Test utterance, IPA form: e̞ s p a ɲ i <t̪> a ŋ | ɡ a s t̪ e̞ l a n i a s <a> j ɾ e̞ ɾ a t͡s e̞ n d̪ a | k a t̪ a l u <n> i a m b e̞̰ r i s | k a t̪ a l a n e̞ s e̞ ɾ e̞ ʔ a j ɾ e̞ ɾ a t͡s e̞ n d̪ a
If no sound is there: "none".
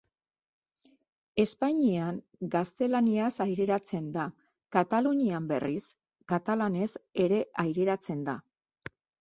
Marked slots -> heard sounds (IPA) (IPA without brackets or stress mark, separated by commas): none, a, ɲ